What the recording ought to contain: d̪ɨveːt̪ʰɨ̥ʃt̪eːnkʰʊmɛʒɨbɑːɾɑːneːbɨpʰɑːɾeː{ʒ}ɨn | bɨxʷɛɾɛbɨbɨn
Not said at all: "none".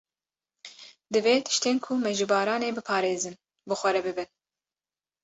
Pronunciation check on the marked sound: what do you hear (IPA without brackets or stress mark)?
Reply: z